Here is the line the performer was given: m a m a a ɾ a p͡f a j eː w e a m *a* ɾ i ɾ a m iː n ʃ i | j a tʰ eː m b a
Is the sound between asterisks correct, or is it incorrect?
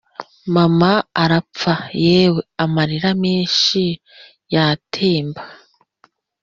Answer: correct